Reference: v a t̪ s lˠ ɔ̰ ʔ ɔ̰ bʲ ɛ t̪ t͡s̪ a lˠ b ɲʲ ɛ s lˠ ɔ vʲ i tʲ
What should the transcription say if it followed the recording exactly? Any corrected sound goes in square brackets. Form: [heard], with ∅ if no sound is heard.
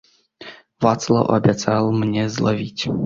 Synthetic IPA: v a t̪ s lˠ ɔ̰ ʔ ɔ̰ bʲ ɛ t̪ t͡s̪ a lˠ [m] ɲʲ ɛ [z] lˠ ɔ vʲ i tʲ

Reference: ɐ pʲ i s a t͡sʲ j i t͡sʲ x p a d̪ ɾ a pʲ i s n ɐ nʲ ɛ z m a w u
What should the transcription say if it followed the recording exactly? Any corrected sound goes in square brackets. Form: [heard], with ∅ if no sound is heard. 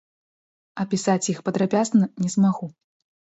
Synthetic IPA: ɐ pʲ i s a t͡sʲ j i [∅] x p [ɐ] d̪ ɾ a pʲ [a] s n ɐ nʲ ɛ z m a [ɣ] u

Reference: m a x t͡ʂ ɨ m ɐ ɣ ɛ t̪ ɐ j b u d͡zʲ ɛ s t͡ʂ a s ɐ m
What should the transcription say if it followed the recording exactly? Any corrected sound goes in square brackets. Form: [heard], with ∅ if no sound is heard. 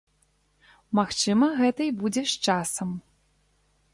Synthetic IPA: m a x t͡ʂ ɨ m ɐ ɣ ɛ t̪ ɐ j b u d͡zʲ ɛ [ʂ] t͡ʂ a s ɐ m

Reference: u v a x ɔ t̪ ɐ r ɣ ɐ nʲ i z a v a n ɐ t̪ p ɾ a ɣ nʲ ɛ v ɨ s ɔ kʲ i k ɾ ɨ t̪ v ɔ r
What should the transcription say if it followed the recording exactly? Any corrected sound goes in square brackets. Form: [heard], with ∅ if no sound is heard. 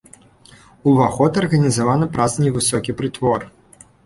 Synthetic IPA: u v a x ɔ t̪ ɐ r ɣ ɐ nʲ i z a v a n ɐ [∅] p ɾ a [z] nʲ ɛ v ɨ s ɔ kʲ i [p] ɾ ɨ t̪ v ɔ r

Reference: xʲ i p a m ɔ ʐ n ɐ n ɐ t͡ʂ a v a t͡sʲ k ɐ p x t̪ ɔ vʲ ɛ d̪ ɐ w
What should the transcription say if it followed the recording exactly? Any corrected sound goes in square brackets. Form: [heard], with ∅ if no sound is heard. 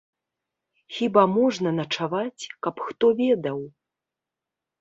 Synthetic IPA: xʲ i [b] a m ɔ ʐ n ɐ n ɐ t͡ʂ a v a t͡sʲ k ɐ p x t̪ ɔ vʲ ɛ d̪ ɐ w

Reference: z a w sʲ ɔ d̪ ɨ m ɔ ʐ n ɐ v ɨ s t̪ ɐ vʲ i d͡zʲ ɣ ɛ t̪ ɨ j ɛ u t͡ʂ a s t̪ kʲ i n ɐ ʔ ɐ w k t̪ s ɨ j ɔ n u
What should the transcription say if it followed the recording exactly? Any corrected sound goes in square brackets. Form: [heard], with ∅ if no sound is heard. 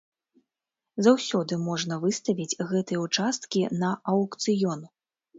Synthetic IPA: z a w sʲ ɔ d̪ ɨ m ɔ ʐ n ɐ v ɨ s t̪ ɐ vʲ i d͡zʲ ɣ ɛ t̪ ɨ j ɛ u t͡ʂ a s t̪ kʲ i n ɐ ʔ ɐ w k t̪ s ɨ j ɔ n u

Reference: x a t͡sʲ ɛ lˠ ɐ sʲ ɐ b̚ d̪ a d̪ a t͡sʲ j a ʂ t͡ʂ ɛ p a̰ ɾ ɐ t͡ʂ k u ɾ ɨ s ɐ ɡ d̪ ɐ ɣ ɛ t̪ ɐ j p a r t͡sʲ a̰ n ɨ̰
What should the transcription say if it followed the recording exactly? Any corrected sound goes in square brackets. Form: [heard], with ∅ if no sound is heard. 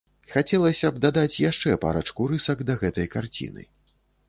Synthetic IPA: x a t͡sʲ ɛ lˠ ɐ sʲ ɐ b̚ d̪ a d̪ a t͡sʲ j a ʂ t͡ʂ ɛ p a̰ ɾ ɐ t͡ʂ k u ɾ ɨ s ɐ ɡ d̪ ɐ ɣ ɛ t̪ ɐ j [k] a r t͡sʲ [ḭ] n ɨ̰

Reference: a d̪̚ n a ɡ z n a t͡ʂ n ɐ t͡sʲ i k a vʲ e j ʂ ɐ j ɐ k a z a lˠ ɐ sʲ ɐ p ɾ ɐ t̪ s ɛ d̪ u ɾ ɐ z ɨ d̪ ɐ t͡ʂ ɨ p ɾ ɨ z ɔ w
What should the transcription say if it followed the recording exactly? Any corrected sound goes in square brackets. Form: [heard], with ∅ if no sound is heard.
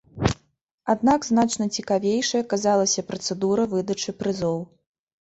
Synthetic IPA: a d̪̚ n a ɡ z n a t͡ʂ n ɐ t͡sʲ i k a vʲ e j ʂ ɐ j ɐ k a z a lˠ ɐ sʲ ɐ p ɾ ɐ t̪ s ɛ d̪ u ɾ ɐ [v] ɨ d̪ ɐ t͡ʂ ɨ p ɾ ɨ z ɔ w

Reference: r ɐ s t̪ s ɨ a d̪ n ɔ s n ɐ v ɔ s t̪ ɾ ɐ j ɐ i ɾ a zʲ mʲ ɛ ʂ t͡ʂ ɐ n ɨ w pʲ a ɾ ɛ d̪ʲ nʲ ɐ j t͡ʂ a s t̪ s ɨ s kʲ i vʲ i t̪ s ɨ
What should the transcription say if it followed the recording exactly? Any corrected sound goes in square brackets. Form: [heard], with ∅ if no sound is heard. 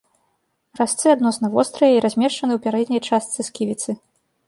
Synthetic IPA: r [a] s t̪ s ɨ a d̪ n ɔ s n ɐ v ɔ s t̪ ɾ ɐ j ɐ i ɾ a zʲ mʲ ɛ ʂ t͡ʂ ɐ n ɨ w pʲ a ɾ ɛ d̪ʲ nʲ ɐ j t͡ʂ a s t̪ s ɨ s kʲ i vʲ i t̪ s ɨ

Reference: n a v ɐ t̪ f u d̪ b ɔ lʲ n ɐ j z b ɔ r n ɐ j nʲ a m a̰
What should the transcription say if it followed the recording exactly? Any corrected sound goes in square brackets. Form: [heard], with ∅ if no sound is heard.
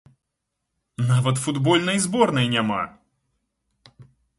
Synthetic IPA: n a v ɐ t̪ f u d̪ b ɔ lʲ n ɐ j z b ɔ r n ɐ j nʲ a m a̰

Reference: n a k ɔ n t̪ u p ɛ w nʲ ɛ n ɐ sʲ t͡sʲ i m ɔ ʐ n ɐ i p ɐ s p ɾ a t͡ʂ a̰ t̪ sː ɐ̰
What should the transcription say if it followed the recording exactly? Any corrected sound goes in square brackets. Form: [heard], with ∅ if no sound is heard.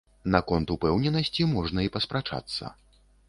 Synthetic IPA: n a k ɔ n t̪ u p ɛ w nʲ ɛ n ɐ sʲ t͡sʲ i m ɔ ʐ n ɐ i p ɐ s p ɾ a t͡ʂ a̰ t̪ sː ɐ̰

